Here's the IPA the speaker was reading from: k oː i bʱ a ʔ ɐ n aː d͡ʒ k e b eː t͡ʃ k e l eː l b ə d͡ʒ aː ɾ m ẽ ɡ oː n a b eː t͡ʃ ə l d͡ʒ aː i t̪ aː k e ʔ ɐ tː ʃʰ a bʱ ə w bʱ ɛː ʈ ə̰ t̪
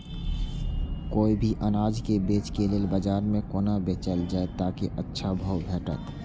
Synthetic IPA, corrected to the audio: k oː i bʱ i ʔ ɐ n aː d͡ʒ k e b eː t͡ʃ k e l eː l b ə d͡ʒ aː ɾ m ẽ k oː n a b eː t͡ʃ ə l d͡ʒ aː e t̪ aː k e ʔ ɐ tː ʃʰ a bʱ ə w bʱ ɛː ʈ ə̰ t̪